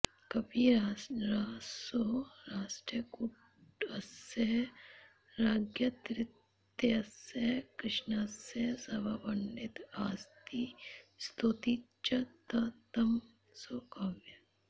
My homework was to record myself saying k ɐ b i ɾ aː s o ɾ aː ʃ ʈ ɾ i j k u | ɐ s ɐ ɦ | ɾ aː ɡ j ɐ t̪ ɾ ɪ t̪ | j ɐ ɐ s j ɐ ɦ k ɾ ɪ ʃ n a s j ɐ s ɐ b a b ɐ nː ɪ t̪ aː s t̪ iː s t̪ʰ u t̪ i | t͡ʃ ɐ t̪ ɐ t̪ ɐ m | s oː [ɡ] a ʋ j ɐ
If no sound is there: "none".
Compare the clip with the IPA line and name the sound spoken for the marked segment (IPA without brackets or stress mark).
k